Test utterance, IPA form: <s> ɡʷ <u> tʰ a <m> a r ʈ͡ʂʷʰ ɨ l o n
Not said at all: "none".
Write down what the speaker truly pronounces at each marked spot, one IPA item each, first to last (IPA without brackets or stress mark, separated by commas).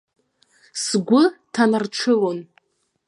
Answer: s, ʊ, n